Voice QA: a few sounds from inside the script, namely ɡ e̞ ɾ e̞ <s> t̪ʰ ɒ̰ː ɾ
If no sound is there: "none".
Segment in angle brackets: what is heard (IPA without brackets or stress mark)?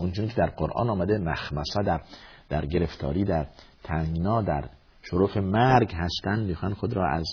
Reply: f